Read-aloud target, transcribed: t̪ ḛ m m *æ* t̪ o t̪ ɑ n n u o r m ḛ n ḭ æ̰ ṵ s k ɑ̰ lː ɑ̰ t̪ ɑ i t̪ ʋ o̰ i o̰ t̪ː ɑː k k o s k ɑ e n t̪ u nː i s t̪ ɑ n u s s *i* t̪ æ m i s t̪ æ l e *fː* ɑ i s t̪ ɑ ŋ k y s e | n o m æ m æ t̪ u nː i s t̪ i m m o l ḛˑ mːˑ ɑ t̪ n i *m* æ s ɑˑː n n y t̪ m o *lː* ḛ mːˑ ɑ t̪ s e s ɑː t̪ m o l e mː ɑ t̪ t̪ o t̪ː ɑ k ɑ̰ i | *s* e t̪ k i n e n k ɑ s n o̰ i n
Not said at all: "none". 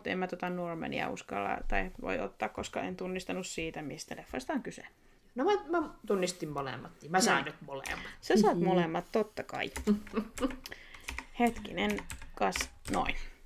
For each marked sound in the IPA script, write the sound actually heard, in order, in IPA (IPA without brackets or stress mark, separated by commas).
æ, iː, fː, m, l, h